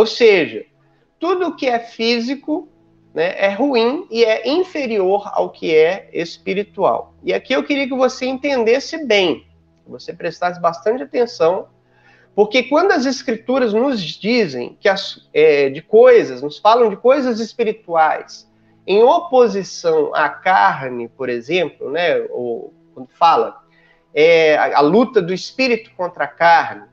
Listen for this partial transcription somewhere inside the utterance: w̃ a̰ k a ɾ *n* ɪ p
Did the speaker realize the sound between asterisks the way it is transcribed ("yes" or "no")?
yes